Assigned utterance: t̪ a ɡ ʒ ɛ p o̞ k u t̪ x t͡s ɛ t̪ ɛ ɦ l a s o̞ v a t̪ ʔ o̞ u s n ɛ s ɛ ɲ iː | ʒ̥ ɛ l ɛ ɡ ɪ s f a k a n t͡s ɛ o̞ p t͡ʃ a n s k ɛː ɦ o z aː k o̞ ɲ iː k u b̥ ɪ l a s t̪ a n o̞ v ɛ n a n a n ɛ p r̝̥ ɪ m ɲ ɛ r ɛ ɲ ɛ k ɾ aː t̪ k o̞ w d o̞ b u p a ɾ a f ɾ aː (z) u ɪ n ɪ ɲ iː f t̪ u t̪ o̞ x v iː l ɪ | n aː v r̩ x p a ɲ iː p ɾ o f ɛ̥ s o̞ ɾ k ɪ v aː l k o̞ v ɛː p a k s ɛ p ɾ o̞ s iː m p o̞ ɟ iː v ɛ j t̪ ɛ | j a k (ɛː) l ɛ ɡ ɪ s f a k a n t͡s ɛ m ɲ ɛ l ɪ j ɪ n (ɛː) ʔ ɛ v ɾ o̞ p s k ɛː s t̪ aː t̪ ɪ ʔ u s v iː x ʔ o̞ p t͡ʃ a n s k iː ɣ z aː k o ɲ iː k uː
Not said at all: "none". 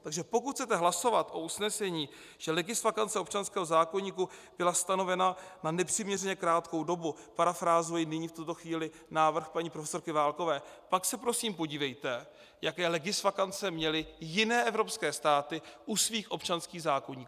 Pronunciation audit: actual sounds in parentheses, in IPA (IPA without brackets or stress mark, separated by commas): z, ɛː, ɛː